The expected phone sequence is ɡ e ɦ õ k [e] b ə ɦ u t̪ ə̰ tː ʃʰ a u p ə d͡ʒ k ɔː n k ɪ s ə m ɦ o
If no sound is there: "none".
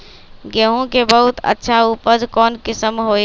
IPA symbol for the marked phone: e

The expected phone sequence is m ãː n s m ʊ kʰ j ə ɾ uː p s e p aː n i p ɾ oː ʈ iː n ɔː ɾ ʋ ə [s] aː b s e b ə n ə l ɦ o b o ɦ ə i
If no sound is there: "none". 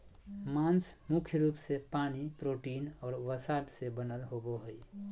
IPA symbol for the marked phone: s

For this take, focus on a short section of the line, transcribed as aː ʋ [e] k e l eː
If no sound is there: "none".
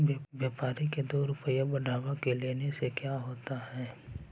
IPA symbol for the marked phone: a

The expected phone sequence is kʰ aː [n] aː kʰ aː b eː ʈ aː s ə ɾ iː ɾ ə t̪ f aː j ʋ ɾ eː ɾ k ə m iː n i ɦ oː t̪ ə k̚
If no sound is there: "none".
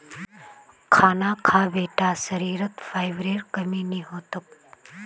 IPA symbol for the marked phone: n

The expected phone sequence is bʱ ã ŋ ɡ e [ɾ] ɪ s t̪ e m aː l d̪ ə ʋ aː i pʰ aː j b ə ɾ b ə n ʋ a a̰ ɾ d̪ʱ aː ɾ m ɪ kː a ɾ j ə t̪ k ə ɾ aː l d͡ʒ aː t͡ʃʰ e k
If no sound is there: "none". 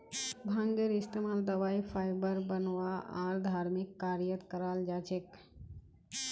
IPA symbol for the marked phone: ɾ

